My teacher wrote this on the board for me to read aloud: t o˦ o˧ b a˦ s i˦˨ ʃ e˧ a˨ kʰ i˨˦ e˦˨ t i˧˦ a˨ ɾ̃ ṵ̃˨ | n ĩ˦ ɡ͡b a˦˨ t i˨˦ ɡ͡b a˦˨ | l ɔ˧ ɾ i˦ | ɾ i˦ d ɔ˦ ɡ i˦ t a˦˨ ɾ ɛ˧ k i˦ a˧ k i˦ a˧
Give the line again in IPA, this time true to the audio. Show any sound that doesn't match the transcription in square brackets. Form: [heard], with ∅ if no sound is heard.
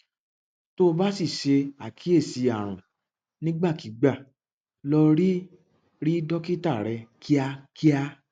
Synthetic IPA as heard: t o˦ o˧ b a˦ s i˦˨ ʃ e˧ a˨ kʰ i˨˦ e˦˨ [s] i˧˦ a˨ ɾ̃ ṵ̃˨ | n ĩ˦ ɡ͡b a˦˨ [k] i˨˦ ɡ͡b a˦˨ | l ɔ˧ ɾ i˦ | ɾ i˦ d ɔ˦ [k] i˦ t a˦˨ ɾ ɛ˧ k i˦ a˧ k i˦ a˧